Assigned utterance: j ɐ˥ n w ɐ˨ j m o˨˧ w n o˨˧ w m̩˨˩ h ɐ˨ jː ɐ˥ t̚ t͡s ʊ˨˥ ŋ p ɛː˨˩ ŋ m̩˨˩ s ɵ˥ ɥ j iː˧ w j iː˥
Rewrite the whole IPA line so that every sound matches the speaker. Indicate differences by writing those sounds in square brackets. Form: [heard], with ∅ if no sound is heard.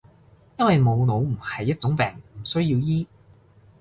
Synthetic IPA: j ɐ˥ n w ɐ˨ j m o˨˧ w n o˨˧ w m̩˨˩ h ɐ˨ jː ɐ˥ t̚ t͡s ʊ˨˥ ŋ p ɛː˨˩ ŋ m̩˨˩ s ɵ˥ ɥ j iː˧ w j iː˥